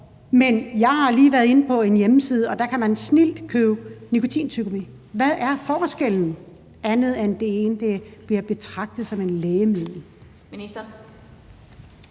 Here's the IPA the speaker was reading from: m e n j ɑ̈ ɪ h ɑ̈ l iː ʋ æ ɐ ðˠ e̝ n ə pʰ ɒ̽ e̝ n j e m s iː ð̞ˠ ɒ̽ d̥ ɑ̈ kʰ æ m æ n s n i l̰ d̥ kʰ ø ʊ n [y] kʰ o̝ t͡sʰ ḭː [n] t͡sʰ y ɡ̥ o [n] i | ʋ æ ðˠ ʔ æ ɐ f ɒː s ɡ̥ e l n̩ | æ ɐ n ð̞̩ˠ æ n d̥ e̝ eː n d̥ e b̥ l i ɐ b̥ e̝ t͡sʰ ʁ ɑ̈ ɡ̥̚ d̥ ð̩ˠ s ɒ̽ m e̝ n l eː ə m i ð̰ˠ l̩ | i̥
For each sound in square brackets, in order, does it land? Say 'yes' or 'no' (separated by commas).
no, yes, no